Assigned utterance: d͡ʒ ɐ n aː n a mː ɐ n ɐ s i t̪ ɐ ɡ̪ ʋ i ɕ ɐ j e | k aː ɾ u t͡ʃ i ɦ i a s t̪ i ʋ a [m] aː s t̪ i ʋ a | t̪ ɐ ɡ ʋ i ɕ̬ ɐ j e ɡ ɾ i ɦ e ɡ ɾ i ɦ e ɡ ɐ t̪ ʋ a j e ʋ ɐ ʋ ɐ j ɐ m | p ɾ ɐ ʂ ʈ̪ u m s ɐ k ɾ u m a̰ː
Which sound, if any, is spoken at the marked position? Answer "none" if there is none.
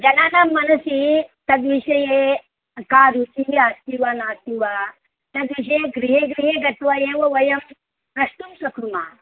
n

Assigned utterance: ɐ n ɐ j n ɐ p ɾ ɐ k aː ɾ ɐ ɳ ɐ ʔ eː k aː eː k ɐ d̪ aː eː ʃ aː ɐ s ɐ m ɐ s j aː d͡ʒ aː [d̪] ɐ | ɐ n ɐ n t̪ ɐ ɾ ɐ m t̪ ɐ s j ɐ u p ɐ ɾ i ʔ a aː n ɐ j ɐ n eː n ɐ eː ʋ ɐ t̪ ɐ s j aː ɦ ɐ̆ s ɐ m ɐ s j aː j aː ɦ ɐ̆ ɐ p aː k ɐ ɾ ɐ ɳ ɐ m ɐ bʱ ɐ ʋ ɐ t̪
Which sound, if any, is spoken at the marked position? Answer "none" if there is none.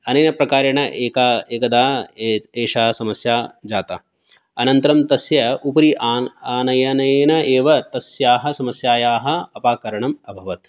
t̪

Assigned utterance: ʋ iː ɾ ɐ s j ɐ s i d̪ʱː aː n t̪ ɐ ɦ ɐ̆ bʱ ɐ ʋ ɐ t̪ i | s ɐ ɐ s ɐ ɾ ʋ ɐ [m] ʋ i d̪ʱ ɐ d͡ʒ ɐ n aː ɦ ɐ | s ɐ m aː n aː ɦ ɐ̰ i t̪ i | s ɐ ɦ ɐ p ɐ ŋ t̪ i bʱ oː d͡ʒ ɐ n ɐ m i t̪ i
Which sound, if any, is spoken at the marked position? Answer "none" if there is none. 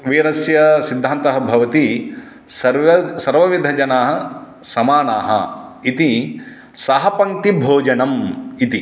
none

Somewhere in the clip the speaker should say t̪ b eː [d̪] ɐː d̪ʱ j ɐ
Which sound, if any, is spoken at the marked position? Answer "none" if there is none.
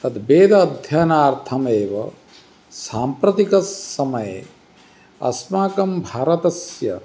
d̪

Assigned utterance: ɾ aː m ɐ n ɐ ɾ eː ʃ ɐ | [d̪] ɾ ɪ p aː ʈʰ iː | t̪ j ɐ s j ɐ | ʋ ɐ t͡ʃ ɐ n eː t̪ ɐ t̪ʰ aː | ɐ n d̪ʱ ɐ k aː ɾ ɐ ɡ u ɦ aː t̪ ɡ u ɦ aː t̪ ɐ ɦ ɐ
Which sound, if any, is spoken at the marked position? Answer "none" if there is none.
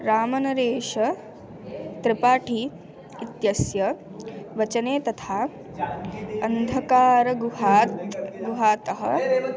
t̪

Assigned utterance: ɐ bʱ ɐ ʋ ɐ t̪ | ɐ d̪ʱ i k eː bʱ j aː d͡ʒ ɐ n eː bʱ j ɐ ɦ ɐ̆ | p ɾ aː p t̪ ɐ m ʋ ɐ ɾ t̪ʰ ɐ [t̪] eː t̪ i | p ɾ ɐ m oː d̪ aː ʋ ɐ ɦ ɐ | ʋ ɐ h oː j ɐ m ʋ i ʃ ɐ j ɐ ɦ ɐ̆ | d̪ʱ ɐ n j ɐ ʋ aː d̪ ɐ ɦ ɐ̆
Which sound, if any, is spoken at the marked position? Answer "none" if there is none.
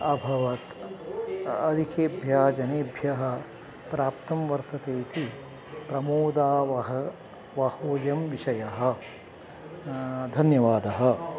t̪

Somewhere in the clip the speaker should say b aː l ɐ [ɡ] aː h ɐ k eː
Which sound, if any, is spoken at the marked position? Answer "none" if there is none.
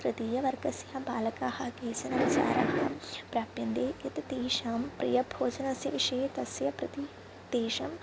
k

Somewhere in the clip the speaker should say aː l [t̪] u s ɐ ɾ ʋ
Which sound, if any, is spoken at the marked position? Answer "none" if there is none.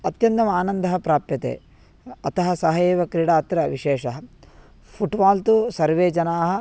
t̪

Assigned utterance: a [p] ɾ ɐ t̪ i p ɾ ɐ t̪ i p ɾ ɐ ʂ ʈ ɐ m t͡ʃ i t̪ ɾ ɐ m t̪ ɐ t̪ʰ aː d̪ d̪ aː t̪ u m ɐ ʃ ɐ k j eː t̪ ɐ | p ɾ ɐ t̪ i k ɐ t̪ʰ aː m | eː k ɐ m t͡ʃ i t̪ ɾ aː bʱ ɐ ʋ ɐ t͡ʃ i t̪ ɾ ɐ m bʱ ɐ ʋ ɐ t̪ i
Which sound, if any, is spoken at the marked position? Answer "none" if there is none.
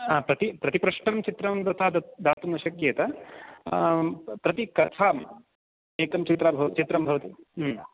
p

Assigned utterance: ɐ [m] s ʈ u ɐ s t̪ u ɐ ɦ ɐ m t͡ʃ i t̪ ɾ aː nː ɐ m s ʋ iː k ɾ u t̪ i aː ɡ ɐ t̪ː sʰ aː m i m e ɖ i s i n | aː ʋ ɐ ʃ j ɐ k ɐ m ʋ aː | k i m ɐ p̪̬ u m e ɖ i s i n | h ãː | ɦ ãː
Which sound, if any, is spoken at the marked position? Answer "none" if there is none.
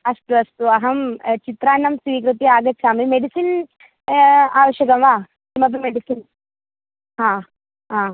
none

